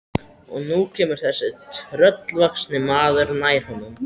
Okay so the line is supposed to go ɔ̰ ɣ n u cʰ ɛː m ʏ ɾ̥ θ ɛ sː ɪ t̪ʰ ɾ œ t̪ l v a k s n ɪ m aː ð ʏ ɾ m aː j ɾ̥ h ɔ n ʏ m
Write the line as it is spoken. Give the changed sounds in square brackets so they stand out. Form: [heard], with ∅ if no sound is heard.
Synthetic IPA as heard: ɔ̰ ɣ n u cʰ ɛː m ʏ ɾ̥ θ ɛ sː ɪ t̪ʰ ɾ œ t̪ l v a k s n ɪ m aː ð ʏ ɾ [n] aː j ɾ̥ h ɔ n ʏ m